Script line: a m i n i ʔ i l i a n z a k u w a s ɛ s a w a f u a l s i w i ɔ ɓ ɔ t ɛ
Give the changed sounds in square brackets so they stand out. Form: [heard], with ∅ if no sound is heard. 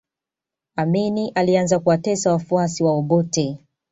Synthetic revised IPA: a m i n i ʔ [a] l i a n z a k u w a [t] ɛ s a w a f u a [∅] s i w [a] ɔ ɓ ɔ t ɛ